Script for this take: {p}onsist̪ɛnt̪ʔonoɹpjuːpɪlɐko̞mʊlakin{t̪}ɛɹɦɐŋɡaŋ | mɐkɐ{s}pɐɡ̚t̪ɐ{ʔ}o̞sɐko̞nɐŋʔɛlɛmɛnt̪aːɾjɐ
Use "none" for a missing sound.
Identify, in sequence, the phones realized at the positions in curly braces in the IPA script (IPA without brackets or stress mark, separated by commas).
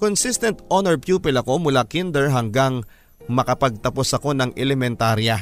k, d̪, none, p